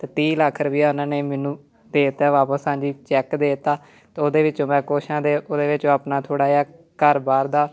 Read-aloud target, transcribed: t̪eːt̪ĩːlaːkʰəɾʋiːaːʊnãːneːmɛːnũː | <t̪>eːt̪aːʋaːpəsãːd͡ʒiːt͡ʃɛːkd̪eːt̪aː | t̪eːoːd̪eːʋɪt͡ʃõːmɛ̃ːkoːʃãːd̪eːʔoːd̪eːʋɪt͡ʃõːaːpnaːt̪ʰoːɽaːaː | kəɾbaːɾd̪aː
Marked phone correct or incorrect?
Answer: incorrect